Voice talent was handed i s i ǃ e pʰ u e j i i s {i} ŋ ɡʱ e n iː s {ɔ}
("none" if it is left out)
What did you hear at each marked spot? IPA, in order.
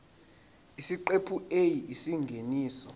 i, ɔ

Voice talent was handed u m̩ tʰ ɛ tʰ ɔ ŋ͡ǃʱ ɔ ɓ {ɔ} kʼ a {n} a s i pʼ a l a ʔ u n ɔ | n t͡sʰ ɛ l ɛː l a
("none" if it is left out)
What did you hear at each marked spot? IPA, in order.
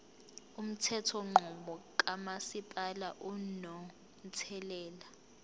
ɔ, m

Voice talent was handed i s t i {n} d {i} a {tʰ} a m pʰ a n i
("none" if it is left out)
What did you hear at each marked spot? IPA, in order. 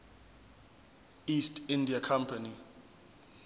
n, i, kʰ

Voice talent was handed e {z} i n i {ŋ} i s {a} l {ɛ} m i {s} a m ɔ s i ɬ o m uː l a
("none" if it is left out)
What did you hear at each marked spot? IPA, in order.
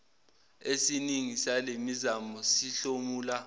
s, ŋ, a, e, z

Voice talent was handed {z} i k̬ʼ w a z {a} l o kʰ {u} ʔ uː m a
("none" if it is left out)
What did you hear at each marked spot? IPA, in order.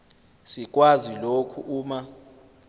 s, i, u

